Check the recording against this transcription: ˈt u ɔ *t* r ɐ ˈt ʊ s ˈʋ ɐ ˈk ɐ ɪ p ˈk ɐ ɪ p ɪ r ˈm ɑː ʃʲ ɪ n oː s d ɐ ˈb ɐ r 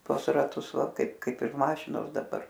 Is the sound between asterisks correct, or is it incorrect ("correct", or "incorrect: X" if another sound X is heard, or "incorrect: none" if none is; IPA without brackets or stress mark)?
incorrect: s